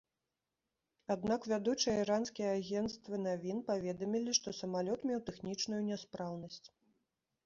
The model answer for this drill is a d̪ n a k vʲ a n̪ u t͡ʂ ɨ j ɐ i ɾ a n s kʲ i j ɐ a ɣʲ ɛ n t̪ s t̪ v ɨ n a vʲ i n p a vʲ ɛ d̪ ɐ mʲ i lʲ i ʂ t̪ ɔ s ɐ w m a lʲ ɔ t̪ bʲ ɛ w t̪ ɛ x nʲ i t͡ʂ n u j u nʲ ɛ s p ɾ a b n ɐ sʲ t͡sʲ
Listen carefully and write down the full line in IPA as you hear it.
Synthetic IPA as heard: a d̪ n a k vʲ a d̪ u t͡ʂ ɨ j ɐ i ɾ a n s kʲ i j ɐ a ɣʲ ɛ n t̪ s t̪ v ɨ n a vʲ i n p a vʲ ɛ d̪ ɐ mʲ i lʲ i ʂ t̪ ɔ s ɐ m a lʲ ɔ t̪ mʲ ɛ w t̪ ɛ x nʲ i t͡ʂ n u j u nʲ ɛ s p ɾ a w n ɐ sʲ t͡sʲ